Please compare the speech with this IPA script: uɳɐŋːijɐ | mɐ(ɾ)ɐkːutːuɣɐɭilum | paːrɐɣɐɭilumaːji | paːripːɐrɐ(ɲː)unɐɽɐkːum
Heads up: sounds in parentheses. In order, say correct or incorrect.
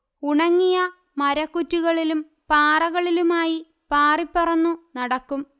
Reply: correct, incorrect: nː

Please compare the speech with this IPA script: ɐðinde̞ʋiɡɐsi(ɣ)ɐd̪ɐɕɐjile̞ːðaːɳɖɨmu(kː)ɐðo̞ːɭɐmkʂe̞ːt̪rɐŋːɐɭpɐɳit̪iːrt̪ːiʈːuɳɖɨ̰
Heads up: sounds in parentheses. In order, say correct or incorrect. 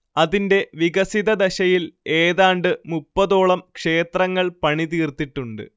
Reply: incorrect: ð, incorrect: pː

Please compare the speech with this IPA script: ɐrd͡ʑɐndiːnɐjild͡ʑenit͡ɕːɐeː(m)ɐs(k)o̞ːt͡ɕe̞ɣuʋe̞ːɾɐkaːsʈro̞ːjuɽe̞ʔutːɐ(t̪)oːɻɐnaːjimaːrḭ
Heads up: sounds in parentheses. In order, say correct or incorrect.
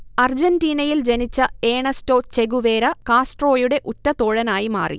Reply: incorrect: ɳ, incorrect: t, correct

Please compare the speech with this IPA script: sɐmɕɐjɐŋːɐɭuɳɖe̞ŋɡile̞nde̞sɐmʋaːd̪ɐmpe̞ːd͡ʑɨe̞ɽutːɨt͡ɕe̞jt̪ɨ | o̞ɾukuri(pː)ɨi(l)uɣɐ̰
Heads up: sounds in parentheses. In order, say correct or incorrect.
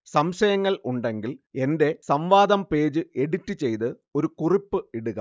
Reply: correct, incorrect: ɽ

